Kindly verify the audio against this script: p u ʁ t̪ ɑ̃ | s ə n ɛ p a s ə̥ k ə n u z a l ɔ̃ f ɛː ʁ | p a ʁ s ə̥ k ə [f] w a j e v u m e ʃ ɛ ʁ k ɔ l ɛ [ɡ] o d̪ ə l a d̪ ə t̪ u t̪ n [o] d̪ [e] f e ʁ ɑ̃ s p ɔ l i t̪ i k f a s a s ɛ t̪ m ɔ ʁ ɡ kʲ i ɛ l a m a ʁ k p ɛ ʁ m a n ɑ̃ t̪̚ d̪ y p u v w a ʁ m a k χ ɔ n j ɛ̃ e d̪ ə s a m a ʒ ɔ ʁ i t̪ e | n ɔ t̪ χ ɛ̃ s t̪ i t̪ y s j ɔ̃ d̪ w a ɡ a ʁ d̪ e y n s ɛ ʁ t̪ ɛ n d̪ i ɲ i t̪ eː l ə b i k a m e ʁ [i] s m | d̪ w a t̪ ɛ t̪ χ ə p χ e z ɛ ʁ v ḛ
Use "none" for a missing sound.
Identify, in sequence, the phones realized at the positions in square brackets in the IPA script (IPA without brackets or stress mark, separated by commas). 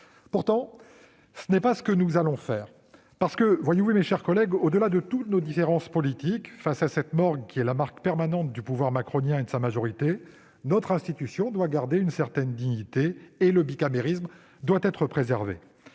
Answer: v, ɡ, o, i, i